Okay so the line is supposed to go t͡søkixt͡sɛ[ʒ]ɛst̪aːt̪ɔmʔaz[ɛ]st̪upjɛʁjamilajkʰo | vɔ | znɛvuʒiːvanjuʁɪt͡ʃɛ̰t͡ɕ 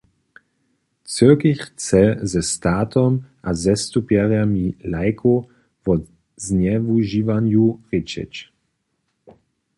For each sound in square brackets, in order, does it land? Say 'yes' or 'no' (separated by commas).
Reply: no, yes